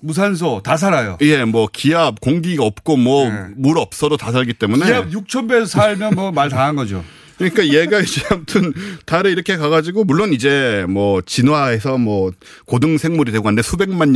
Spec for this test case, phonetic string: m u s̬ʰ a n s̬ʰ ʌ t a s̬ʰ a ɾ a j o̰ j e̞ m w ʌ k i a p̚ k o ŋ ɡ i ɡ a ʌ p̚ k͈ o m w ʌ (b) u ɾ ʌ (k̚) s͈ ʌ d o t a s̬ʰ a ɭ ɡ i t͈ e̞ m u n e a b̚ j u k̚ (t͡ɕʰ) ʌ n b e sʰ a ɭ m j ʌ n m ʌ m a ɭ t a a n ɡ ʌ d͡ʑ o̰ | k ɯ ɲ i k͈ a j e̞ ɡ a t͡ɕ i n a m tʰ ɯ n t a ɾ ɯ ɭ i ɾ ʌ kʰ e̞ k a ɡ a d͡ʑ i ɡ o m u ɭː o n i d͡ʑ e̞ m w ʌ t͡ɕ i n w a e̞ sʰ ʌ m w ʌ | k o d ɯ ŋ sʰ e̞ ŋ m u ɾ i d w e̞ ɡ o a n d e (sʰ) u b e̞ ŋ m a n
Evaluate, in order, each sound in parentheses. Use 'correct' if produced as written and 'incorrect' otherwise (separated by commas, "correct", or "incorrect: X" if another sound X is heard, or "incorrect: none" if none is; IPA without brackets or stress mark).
incorrect: m, incorrect: p̚, correct, correct